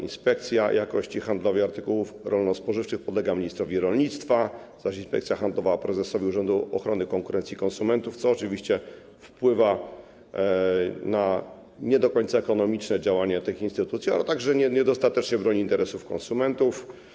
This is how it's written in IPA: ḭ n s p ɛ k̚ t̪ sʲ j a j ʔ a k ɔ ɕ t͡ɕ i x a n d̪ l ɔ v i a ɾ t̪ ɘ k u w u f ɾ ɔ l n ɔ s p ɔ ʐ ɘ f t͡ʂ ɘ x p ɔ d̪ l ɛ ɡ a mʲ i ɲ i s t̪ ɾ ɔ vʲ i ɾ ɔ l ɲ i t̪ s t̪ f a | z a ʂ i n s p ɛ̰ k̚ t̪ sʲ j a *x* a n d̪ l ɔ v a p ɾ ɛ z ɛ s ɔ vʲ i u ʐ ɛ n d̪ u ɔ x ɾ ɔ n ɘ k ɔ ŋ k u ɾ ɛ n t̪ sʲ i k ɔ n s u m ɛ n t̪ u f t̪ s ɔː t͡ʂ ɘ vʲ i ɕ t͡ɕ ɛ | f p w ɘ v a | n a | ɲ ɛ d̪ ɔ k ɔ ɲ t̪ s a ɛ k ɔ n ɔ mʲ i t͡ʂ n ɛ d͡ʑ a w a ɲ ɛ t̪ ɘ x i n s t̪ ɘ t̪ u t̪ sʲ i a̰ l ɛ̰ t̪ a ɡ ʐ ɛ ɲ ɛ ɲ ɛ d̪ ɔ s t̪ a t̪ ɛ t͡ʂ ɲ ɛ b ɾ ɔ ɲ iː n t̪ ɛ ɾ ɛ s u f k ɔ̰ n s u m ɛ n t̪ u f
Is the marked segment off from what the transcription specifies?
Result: no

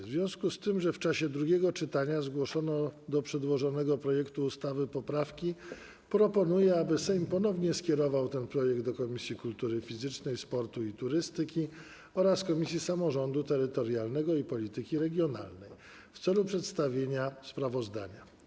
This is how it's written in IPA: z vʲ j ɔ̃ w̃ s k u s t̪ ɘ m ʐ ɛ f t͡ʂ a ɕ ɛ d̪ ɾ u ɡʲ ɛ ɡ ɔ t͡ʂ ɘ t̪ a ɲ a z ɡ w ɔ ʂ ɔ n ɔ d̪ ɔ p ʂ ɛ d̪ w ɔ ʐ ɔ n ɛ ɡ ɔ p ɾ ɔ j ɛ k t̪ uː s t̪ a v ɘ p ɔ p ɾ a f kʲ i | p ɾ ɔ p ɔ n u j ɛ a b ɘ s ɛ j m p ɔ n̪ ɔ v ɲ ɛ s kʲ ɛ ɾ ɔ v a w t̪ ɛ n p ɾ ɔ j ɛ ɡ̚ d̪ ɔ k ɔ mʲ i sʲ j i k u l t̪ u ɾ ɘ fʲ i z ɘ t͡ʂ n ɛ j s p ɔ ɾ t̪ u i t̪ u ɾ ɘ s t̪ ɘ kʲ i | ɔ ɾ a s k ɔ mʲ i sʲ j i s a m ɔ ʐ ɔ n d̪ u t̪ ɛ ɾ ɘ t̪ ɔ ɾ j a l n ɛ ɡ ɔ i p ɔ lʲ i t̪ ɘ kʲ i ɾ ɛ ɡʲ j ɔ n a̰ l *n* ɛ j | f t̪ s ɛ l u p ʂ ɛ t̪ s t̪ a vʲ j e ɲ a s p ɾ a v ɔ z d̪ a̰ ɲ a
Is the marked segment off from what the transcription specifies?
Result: no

